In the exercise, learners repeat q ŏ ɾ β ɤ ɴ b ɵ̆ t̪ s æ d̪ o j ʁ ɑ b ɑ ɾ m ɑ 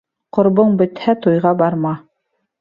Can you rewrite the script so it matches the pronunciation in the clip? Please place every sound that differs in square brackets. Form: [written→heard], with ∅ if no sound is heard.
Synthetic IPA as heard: q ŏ ɾ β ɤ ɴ b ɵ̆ t̪ [s→h] æ [d̪→t̪] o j ʁ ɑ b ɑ ɾ m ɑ